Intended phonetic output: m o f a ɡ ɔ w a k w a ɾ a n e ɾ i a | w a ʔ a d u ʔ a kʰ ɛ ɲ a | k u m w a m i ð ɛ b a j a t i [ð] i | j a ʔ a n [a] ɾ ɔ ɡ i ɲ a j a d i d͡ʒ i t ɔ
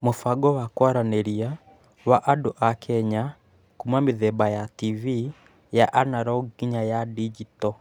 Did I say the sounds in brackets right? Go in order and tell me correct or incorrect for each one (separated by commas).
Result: incorrect, correct